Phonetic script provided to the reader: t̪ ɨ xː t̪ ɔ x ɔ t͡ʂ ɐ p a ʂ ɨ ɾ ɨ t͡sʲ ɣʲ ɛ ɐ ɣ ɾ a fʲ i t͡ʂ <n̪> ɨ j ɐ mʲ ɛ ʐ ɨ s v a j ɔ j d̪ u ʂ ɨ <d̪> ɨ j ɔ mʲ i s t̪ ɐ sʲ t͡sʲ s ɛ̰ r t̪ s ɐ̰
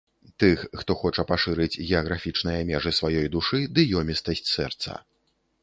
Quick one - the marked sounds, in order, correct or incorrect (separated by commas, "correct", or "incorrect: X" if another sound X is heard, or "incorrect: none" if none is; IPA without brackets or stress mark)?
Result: correct, correct